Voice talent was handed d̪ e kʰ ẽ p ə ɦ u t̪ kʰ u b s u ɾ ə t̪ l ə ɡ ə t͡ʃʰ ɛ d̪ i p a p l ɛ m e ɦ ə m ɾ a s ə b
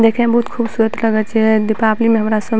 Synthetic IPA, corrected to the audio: d̪ e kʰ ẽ b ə ɦ u t̪ kʰ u b s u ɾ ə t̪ l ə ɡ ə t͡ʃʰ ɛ d̪ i p a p l i m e ɦ ə m ɾ a s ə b